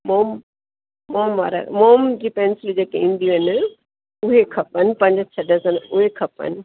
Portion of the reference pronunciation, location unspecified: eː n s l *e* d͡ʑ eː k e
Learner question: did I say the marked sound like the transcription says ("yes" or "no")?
no